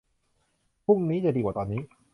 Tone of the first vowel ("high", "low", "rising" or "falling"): falling